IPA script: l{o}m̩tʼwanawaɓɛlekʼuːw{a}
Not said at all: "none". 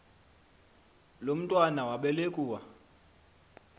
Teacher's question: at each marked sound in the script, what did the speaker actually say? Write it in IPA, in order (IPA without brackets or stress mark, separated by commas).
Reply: o, a